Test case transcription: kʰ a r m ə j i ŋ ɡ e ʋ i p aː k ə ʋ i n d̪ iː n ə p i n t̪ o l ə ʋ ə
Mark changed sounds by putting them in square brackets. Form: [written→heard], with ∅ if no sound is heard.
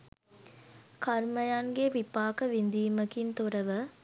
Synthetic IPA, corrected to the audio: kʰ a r m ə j [i→a] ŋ ɡ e ʋ i p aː k ə ʋ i n d̪ iː [n→m] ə [p→k] i n t̪ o [l→ɾ] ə ʋ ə